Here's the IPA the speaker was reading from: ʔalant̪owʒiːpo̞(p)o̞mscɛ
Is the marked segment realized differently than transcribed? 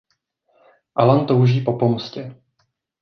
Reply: no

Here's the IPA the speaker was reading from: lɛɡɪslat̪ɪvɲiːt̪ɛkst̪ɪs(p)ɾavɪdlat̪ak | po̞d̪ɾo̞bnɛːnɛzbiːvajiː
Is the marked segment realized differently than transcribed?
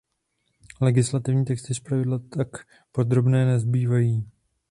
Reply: no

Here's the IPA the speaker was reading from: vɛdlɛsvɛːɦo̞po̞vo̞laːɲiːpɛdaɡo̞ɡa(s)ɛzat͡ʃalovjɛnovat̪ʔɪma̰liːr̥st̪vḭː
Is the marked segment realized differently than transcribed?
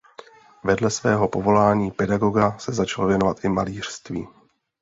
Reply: no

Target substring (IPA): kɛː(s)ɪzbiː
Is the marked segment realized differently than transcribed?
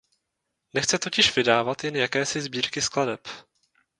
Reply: no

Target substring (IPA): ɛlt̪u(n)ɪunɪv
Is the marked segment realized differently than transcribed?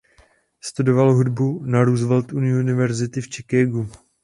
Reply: no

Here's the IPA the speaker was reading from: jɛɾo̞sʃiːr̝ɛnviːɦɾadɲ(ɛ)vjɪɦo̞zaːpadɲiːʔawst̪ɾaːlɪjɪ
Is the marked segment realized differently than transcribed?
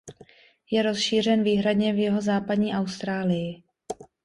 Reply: no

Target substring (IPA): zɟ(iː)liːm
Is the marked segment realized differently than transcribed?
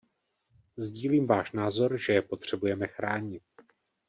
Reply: no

